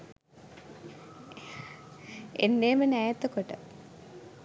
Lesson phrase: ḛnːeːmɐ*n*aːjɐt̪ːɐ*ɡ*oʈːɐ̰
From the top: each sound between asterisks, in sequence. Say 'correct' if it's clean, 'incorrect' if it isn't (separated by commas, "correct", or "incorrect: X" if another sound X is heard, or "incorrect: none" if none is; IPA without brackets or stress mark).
correct, incorrect: k